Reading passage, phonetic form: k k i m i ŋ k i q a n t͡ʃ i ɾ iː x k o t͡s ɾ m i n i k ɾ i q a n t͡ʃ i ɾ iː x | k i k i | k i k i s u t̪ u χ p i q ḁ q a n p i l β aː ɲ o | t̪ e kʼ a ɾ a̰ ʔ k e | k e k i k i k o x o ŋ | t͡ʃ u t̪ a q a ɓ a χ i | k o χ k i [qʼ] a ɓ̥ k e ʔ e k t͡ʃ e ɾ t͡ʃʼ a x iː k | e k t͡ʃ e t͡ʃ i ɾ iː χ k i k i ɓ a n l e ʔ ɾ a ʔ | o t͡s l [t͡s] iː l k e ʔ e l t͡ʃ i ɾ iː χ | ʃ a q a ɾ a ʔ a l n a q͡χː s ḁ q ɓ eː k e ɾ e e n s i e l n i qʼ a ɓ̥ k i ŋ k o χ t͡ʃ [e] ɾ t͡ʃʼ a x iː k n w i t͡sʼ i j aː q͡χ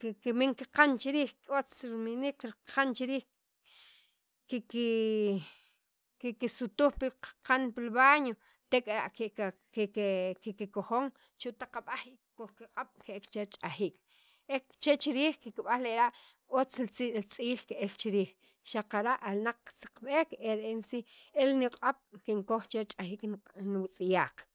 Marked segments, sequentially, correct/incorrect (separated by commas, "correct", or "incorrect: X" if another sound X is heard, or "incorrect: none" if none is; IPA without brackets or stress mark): correct, incorrect: t͡sʼ, correct